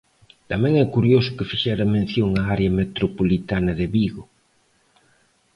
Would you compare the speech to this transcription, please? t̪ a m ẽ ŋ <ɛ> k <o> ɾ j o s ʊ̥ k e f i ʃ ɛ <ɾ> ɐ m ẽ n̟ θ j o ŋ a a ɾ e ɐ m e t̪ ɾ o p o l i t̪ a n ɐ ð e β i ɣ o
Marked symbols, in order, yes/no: yes, no, yes

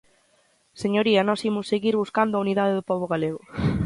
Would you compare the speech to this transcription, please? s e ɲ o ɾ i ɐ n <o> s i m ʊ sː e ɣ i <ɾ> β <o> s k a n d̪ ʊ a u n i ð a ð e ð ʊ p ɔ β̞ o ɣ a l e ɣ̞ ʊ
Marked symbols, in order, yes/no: no, yes, no

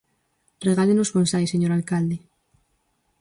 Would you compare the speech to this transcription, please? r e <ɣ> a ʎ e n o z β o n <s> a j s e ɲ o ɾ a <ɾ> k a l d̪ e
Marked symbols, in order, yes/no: yes, yes, no

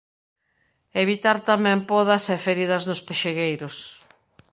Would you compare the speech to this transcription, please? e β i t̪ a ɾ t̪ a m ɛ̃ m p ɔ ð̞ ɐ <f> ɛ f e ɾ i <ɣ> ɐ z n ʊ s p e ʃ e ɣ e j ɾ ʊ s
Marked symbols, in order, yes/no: no, no

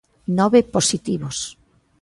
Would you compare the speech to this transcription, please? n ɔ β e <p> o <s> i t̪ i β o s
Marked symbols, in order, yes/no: yes, yes

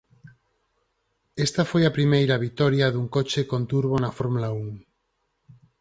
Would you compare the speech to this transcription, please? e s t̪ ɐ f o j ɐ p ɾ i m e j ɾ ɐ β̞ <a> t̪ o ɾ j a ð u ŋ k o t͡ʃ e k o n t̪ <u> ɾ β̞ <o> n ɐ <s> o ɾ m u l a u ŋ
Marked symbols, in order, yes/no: no, yes, yes, no

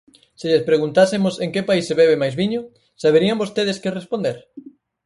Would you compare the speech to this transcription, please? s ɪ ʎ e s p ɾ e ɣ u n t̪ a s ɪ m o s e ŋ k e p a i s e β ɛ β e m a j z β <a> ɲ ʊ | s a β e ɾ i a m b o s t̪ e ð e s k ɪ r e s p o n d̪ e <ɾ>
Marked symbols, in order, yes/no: no, yes

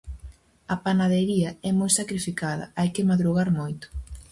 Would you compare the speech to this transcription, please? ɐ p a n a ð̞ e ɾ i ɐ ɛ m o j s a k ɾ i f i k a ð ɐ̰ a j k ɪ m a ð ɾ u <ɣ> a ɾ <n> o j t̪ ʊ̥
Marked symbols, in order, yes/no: yes, no

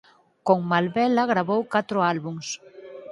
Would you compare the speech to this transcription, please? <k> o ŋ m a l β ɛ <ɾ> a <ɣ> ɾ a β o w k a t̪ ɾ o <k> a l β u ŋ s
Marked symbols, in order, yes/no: yes, no, yes, no

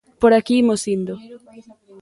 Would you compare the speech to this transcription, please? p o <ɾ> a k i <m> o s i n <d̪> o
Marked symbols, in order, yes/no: yes, yes, yes

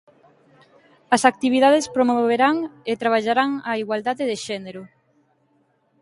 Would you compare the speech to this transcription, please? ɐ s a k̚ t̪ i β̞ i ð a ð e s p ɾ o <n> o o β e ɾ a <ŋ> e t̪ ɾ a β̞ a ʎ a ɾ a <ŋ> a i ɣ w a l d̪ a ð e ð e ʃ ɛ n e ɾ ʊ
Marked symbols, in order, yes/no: no, yes, yes

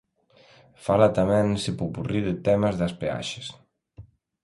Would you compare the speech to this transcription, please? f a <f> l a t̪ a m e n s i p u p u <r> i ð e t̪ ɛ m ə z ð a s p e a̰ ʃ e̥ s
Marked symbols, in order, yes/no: no, yes

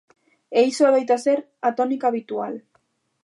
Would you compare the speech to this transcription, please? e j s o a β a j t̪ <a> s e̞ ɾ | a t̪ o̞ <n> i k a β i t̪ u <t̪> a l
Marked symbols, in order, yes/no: yes, yes, no

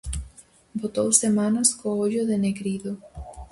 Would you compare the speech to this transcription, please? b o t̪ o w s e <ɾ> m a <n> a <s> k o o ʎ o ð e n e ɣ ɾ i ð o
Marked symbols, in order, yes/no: no, yes, yes

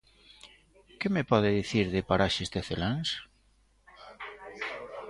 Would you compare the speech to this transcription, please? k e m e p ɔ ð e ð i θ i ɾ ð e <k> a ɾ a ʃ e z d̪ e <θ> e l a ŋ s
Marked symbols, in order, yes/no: no, yes

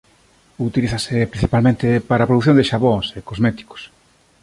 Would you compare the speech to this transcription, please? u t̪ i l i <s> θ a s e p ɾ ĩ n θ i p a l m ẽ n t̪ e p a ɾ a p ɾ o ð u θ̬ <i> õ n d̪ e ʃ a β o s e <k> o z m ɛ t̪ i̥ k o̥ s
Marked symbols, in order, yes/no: no, no, yes

